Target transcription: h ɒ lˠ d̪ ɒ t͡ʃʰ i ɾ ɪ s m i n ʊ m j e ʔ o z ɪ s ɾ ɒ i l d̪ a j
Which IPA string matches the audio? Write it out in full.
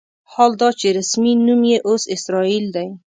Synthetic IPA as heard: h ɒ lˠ d̪ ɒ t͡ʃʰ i ɾ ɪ s m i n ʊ m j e ʔ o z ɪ s ɾ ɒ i l d̪ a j